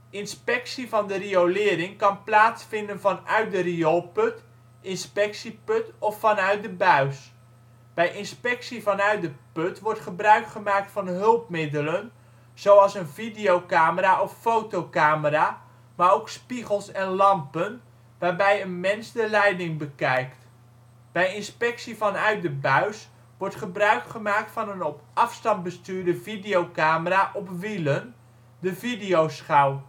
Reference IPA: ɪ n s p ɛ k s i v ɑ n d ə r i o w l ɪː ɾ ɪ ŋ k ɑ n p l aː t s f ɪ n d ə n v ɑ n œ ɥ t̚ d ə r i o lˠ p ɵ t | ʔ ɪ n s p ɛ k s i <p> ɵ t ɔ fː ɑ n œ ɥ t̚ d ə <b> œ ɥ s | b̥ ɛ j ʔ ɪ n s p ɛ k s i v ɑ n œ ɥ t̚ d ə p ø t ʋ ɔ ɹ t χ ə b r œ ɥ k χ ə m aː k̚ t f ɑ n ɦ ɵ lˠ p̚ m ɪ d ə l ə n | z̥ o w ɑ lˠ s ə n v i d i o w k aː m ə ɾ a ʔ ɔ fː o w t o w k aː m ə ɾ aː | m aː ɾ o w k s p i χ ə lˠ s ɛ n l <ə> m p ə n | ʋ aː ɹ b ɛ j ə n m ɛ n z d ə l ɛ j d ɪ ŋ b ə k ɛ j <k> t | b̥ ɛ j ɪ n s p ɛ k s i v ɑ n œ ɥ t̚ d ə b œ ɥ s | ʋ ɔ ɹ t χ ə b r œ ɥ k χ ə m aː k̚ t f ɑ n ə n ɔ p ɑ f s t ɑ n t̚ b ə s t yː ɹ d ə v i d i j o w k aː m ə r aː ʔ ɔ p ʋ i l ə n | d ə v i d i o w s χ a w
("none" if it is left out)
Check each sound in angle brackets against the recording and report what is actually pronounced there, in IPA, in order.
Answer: p, b, ɑ, k

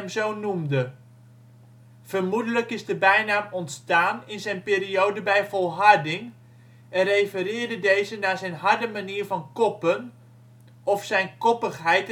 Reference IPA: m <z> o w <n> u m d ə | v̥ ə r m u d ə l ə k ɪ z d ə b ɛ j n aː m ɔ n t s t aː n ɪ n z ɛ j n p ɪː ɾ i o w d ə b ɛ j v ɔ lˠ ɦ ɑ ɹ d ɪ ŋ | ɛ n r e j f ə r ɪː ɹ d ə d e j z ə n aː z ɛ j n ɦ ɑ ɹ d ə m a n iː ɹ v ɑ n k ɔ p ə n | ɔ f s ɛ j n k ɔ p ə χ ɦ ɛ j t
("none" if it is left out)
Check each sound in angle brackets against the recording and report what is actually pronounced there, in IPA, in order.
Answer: z, n

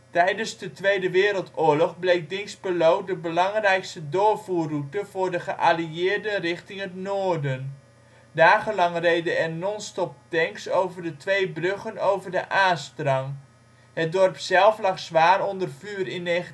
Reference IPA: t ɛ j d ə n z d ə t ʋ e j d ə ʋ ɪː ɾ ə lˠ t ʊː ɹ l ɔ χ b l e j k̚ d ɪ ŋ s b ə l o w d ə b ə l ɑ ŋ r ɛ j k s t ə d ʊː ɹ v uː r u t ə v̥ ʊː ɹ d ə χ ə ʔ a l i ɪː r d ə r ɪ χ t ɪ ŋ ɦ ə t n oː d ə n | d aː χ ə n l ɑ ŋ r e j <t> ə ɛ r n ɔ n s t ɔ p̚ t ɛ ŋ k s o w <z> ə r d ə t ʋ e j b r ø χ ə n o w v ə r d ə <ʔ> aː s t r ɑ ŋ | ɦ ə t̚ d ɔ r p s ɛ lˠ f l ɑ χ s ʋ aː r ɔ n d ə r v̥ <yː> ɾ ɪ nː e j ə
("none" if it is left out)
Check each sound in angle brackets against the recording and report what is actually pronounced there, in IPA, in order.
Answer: d, v, ʔ, yː

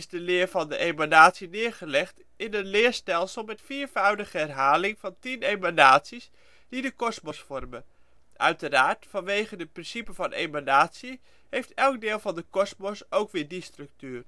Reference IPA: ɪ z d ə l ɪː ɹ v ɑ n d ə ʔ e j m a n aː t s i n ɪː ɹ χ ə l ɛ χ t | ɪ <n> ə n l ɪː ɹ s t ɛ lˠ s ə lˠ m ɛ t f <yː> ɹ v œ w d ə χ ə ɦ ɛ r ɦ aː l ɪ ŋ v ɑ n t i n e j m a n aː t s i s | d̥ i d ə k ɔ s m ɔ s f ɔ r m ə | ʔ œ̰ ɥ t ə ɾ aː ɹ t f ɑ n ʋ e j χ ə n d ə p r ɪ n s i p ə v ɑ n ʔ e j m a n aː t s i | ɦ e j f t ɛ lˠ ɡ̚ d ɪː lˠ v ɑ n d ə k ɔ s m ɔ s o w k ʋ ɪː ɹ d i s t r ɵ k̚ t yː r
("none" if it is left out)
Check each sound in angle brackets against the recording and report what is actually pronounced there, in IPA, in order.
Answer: n, iː

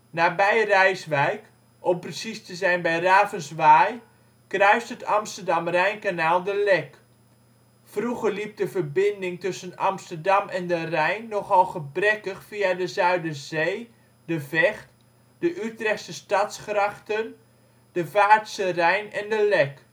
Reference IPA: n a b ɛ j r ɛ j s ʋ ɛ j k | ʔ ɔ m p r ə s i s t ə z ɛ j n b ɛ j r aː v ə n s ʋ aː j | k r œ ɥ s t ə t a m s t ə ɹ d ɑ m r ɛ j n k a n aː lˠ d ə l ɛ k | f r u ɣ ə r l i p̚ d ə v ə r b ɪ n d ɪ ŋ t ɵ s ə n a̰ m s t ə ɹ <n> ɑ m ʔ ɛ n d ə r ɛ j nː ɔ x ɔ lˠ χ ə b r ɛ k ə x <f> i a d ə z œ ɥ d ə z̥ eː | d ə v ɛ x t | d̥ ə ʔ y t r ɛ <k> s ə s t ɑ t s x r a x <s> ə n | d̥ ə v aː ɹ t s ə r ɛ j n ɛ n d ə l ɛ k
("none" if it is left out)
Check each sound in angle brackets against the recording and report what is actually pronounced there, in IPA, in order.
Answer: d, f, x, t

